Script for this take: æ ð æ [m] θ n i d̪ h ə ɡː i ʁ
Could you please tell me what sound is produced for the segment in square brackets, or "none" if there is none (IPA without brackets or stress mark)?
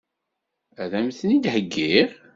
m